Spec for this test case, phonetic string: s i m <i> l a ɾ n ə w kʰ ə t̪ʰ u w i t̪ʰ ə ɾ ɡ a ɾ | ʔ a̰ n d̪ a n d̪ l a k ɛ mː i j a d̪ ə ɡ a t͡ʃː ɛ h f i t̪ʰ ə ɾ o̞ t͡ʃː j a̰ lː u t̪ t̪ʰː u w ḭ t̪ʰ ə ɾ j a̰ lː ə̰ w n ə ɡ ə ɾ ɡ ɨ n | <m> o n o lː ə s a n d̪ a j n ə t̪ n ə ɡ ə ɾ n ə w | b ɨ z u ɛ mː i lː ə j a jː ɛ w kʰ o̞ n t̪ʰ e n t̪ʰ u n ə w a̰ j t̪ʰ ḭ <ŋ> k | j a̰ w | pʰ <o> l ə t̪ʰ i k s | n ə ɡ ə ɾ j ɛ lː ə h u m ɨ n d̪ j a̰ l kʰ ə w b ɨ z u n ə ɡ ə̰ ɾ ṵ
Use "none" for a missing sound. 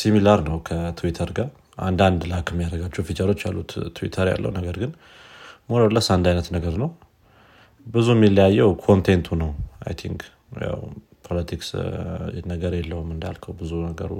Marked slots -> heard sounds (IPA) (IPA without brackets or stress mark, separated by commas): i, m, ŋ, o